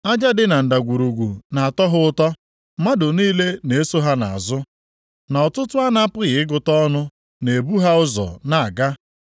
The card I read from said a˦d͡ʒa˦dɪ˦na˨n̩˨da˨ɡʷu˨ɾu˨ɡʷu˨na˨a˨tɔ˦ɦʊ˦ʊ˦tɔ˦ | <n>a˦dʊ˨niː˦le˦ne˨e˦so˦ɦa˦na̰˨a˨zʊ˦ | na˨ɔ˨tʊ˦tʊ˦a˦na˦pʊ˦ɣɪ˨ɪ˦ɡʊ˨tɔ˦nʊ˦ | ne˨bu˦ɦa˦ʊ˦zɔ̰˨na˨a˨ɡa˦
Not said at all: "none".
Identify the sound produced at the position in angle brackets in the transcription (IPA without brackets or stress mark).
m